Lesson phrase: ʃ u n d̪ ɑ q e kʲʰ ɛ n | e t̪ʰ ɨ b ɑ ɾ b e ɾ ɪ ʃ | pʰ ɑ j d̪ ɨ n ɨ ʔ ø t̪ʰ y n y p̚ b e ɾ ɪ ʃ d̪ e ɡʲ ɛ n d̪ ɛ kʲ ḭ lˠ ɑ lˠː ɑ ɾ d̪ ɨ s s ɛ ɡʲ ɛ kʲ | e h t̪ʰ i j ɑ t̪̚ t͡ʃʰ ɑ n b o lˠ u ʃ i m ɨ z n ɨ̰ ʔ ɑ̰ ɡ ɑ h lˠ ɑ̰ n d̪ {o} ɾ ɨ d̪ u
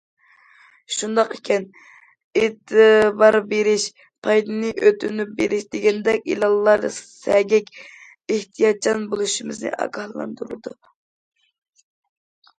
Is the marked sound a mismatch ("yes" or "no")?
yes